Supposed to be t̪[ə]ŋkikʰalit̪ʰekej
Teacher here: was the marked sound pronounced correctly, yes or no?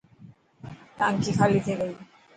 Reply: no